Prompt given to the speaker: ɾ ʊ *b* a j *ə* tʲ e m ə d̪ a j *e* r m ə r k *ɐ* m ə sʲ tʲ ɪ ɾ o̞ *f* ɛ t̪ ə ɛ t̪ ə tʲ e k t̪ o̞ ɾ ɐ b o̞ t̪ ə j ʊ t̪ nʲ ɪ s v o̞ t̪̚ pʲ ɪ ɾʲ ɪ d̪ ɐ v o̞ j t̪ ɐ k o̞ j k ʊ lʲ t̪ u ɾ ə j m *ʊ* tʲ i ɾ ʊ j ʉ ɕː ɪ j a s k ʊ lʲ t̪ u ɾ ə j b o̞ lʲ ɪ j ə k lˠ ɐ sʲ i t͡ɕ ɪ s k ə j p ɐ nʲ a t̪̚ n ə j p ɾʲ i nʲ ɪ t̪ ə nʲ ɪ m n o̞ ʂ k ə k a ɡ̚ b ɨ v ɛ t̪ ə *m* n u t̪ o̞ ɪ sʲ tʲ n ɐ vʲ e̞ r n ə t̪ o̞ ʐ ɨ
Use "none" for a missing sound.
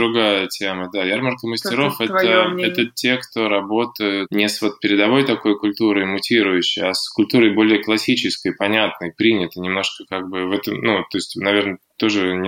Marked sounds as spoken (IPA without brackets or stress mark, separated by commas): ɡ, ə, a, ə, f, ʊ, m